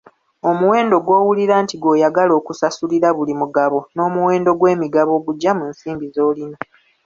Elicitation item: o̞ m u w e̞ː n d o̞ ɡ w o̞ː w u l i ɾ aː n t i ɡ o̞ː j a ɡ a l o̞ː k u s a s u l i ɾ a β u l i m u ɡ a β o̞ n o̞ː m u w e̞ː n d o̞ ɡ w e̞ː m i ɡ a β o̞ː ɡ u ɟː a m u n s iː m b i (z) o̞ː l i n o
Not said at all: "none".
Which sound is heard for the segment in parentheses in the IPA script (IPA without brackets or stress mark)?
z